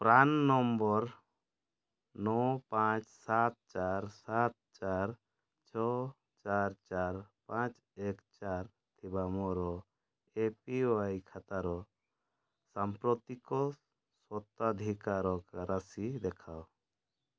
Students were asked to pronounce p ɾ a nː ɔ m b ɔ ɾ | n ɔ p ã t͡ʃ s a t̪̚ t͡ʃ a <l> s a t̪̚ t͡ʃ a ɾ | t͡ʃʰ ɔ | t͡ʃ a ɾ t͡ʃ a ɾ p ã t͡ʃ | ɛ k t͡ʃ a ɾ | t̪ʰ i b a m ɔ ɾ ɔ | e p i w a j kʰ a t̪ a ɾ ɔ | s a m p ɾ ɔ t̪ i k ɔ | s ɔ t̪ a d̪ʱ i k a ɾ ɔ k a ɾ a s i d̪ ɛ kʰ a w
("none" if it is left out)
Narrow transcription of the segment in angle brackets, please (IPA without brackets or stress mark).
ɾ